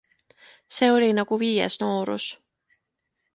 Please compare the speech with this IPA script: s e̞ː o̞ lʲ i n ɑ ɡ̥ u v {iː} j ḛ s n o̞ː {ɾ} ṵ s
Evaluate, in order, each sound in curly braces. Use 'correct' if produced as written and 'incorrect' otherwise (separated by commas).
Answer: correct, correct